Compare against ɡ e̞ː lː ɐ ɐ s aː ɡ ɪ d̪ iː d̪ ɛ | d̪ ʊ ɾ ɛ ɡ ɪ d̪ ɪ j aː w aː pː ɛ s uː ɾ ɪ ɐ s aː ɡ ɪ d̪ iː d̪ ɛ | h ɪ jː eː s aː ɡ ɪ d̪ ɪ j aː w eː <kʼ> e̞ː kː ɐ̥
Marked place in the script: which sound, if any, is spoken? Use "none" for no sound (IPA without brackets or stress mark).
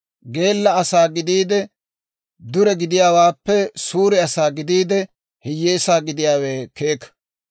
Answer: k